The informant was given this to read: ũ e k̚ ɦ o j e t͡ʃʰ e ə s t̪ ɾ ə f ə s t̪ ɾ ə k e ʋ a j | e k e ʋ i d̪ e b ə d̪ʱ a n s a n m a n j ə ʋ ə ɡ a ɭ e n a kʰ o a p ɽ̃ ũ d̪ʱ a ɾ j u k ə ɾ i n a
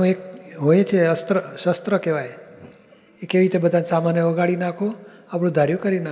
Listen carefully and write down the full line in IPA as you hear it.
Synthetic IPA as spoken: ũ e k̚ ɦ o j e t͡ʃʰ e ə s t̪ ɾ ə ʃ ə s t̪ ɾ ə k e ʋ a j | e k e ʋ i t̪ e b ə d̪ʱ a n s a m a n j ə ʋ ə ɡ a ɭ i n a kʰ o a p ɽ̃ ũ d̪ʱ a ɾ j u k ə ɾ i n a